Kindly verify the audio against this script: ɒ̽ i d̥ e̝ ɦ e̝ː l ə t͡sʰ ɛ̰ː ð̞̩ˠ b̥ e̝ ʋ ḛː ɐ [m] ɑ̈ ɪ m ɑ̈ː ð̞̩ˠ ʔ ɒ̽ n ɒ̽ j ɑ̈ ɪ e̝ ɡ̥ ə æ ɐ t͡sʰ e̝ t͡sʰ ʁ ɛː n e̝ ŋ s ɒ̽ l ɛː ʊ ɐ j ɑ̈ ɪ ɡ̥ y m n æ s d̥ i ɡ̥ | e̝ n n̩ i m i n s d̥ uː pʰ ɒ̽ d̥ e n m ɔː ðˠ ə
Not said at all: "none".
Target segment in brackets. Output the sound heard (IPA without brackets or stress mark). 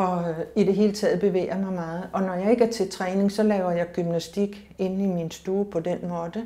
m